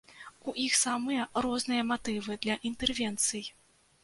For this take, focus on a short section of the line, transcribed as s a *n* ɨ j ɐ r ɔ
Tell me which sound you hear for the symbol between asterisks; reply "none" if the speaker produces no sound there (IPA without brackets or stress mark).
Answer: m